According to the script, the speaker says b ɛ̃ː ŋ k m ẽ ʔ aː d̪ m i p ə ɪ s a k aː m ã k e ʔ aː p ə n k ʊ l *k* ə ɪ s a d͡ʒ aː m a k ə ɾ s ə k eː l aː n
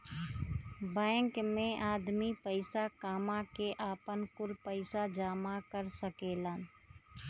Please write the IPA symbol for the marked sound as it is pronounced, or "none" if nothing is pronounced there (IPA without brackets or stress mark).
p